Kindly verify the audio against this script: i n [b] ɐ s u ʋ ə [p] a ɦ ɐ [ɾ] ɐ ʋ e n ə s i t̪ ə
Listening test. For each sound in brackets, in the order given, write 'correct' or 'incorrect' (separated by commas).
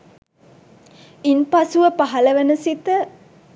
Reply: incorrect, correct, incorrect